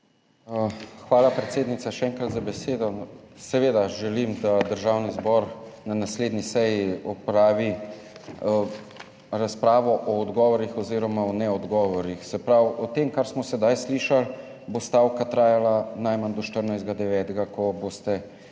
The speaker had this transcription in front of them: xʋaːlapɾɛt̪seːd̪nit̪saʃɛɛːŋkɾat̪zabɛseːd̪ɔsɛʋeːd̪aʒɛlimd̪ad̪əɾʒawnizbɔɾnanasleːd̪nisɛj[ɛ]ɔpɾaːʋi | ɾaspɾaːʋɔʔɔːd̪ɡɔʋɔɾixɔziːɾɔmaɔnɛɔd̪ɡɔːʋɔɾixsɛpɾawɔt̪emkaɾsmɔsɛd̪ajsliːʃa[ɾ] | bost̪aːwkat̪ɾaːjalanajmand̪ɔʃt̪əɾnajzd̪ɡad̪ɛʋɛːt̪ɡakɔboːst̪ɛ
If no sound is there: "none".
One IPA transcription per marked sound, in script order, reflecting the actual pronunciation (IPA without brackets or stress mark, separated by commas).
i, l